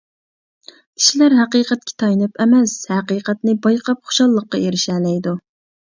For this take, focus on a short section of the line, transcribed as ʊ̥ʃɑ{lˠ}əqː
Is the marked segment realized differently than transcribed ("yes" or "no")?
yes